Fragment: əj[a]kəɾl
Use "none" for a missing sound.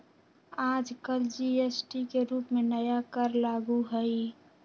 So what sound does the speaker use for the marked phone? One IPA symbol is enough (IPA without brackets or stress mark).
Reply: a